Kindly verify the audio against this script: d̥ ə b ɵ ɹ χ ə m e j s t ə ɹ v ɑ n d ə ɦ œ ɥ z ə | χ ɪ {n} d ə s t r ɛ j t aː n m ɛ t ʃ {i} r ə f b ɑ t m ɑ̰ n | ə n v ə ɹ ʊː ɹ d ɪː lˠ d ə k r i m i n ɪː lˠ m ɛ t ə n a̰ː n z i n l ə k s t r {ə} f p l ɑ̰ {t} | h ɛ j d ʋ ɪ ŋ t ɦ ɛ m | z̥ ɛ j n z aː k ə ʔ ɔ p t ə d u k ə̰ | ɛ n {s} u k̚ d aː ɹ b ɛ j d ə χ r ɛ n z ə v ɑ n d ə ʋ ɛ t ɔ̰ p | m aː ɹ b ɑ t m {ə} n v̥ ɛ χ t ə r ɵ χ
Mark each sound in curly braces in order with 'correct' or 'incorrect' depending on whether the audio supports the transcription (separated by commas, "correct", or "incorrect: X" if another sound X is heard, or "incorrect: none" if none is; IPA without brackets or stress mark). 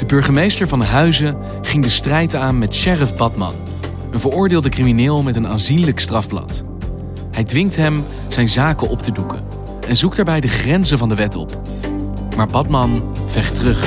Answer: incorrect: ŋ, incorrect: ɛ, incorrect: ɑ, correct, incorrect: z, incorrect: ɑ